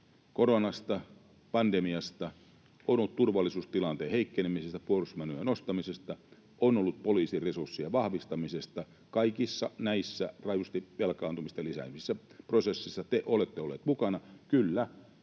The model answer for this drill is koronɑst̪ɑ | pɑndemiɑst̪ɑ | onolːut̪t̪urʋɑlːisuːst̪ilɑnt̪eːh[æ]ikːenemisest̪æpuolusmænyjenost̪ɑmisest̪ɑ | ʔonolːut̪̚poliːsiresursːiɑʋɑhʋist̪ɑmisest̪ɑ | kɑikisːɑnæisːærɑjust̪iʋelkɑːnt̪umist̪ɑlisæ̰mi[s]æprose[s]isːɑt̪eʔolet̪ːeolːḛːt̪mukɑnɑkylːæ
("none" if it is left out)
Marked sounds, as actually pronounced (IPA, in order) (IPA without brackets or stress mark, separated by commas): e, sː, sː